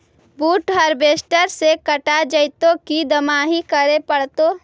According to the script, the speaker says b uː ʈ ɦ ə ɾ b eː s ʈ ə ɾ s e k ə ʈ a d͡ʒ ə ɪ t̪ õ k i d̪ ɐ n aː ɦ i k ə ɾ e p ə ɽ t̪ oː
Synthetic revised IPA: b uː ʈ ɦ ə ɾ b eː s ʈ ə ɾ s e k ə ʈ a d͡ʒ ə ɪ t̪ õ k i d̪ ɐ m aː ɦ i k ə ɾ e p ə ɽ t̪ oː